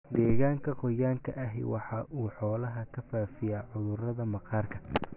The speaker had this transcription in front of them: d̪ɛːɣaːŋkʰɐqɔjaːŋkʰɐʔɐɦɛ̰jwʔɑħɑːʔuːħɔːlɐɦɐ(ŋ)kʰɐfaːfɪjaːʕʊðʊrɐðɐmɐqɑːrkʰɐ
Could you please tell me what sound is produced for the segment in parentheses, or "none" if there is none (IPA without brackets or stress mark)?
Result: none